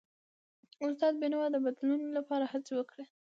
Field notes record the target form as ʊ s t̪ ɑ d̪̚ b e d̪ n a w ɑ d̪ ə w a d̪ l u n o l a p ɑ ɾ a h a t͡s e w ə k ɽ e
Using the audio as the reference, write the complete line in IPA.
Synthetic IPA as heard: ʊ s t̪ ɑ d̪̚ b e n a w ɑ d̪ ə b a d̪ l u n o l a p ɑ ɾ a h a t͡s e w ə k ɽ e